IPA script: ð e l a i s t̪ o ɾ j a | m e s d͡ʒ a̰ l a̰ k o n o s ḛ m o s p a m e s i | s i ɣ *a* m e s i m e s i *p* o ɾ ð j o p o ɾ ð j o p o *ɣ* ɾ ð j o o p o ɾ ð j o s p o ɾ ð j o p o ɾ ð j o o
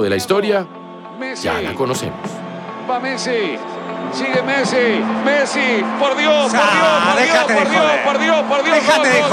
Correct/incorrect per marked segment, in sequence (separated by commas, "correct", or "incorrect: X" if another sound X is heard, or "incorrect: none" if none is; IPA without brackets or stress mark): incorrect: e, correct, incorrect: none